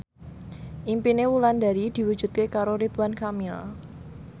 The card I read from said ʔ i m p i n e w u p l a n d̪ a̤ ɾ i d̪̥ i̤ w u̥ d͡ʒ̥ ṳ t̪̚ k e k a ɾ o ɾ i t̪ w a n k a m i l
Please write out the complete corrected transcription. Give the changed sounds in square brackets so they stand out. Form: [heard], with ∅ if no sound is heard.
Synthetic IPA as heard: ʔ i m p i n e w u [∅] l a n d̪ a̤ ɾ i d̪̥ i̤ w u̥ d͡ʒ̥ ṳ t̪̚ k e k a ɾ o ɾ i t̪ w a n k a m i l